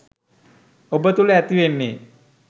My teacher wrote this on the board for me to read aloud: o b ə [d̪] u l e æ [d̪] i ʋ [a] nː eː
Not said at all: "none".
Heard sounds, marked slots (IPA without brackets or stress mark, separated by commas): t̪, t̪, e